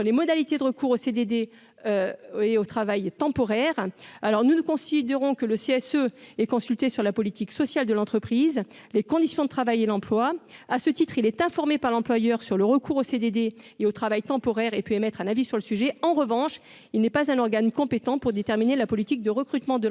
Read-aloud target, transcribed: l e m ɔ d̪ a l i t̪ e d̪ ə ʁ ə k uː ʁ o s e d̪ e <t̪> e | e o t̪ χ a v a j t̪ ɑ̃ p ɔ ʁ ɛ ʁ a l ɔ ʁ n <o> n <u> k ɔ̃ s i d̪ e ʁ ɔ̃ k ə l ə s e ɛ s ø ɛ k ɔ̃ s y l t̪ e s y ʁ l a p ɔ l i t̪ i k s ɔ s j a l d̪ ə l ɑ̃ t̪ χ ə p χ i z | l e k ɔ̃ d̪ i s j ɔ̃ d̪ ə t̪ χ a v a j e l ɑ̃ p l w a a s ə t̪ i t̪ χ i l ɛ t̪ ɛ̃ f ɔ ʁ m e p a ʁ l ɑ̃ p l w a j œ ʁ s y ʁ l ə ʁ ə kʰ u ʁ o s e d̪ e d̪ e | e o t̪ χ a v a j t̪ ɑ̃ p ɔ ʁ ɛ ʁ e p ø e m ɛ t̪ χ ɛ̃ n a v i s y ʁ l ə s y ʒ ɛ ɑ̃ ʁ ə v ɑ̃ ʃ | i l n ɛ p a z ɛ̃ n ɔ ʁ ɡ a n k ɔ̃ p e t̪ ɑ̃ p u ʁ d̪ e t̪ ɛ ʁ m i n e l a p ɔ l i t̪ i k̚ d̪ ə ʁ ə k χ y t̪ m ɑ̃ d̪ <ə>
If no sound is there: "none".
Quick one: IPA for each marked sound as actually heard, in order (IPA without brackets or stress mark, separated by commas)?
d̪, u, u, ə